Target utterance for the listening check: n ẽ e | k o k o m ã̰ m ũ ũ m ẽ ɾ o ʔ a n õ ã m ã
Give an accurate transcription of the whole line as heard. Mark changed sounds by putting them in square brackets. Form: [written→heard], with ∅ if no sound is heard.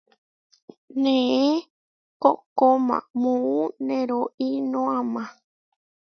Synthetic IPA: n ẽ e | k o k o m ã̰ m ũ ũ [m→n] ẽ ɾ o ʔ [a→i] n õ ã m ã

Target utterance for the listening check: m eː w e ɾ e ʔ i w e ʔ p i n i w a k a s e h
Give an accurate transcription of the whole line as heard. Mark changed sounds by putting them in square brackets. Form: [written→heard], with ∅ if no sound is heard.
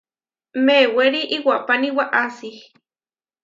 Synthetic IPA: m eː w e ɾ [e→i] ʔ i w [e→a] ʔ p [i→a] n i w a [k→ʔ] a s [e→i] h

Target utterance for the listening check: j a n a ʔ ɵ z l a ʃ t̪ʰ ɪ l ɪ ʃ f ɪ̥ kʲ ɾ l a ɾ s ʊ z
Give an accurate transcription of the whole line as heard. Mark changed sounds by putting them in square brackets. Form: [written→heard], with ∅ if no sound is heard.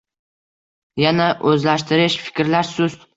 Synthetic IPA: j a n a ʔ ɵ z l a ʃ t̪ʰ ɪ [l→ɾ] ɪ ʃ f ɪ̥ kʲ ɾ l a ɾ s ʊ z

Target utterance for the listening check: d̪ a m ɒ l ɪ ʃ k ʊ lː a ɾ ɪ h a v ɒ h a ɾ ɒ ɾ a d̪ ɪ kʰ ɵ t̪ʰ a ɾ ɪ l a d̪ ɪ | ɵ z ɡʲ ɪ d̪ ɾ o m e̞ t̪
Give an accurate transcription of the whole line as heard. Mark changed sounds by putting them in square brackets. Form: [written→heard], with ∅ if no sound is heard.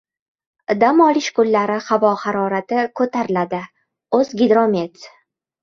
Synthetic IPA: d̪ a m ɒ l ɪ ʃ k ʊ lː a ɾ ɪ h a v ɒ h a ɾ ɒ ɾ a [d̪→t̪] ɪ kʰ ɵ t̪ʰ a ɾ ɪ l a d̪ ɪ | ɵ z ɡʲ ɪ d̪ ɾ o m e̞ t̪

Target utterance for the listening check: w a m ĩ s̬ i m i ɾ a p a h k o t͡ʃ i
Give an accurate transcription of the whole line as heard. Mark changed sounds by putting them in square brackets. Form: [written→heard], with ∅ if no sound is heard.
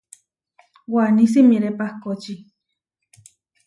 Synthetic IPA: w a [m→n] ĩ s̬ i m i ɾ [a→e] p a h k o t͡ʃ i

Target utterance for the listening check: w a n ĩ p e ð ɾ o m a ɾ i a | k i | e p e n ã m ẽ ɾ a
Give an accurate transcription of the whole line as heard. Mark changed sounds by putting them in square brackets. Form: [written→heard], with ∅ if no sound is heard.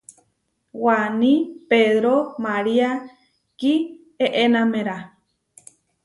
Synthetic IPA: w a n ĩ p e ð ɾ o m a ɾ i a | k i | e [p→ʔ] e n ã m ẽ ɾ a

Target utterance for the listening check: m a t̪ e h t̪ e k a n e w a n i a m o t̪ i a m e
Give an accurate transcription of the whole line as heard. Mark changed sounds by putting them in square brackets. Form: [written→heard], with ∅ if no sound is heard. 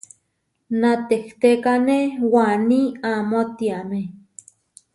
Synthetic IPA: [m→n] a t̪ e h t̪ e k a n e w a n i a m o t̪ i a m e

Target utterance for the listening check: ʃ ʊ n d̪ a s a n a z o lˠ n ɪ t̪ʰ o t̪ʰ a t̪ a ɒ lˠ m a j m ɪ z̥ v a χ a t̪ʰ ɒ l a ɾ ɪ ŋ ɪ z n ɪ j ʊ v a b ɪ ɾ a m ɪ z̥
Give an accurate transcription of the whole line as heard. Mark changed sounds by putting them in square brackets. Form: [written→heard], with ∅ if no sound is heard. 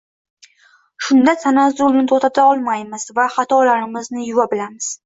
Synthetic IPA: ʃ ʊ n d̪ a s a n a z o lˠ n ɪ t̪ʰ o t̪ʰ a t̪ a ɒ lˠ m a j m ɪ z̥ v a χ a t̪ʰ ɒ l a ɾ ɪ [ŋ→m] ɪ z n ɪ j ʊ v a b ɪ [ɾ→l] a m ɪ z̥

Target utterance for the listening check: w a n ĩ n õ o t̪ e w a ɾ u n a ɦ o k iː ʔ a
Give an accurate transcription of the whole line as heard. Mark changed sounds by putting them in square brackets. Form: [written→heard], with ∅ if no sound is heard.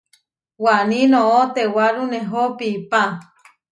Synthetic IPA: w a n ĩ n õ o t̪ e w a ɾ u n [a→e] ɦ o [k→p] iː [ʔ→p] a

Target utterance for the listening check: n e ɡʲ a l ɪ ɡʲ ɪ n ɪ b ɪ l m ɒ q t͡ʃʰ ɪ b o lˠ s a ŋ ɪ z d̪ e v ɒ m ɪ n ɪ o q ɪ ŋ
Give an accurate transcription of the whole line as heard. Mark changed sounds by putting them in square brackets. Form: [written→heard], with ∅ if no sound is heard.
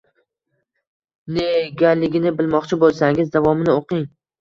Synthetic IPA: n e ɡʲ a l ɪ ɡʲ ɪ n ɪ b ɪ l m ɒ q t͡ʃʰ ɪ b o lˠ s a ŋ ɪ z d̪ [e→a] v ɒ m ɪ n ɪ o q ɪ ŋ

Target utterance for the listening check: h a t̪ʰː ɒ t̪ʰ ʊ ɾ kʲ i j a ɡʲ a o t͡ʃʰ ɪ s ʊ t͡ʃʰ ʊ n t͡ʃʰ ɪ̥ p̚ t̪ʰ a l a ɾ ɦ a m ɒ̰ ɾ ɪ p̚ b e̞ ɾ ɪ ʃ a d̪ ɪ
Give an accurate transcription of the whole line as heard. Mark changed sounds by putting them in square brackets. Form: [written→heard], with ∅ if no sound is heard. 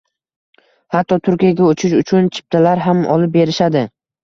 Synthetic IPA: h a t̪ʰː ɒ t̪ʰ ʊ ɾ kʲ i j a ɡʲ a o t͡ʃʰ ɪ [s→ʃ] ʊ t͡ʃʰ ʊ n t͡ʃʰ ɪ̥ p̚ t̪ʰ a l a ɾ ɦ a m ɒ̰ [ɾ→l] ɪ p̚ b e̞ ɾ ɪ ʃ a d̪ ɪ

